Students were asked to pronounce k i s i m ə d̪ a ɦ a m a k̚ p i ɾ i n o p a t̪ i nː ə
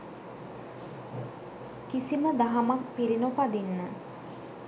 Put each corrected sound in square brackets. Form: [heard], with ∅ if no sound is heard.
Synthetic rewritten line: k i s i m ə d̪ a ɦ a m a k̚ p i ɾ i n o p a [d̪] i nː ə